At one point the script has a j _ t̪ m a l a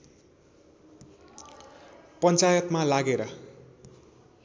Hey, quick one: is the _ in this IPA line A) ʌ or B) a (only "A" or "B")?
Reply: A